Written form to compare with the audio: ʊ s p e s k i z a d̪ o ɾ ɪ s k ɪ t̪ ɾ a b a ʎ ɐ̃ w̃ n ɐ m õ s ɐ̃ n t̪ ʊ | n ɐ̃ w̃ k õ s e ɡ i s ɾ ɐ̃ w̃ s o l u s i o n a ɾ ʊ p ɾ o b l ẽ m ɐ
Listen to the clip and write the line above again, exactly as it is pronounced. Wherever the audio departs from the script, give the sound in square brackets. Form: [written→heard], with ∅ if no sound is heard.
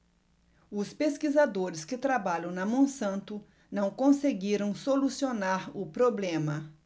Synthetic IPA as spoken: ʊ s p e s k i z a d̪ o ɾ ɪ s k ɪ t̪ ɾ a b a ʎ ɐ̃ w̃ n ɐ m õ s ɐ̃ n t̪ ʊ | n ɐ̃ w̃ k õ s e ɡ i [s→∅] ɾ ɐ̃ w̃ s o l u s i o n a ɾ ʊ p ɾ o b l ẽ m ɐ